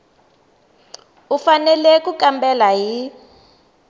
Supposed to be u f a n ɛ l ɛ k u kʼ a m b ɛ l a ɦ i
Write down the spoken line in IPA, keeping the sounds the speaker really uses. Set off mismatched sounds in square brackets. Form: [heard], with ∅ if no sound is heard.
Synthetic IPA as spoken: u f a n ɛ l ɛ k u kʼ a m b ɛ l a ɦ i